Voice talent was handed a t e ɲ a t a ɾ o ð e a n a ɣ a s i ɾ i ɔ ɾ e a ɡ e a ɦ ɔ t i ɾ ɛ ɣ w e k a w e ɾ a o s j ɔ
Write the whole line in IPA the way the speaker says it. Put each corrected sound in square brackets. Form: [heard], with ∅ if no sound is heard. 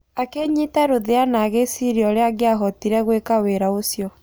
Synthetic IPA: a [k] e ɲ [i] t a ɾ o ð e a n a ɣ [e] s i ɾ i ɔ ɾ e a ɡ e a ɦ ɔ t i ɾ ɛ ɣ w e k a w e ɾ a o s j ɔ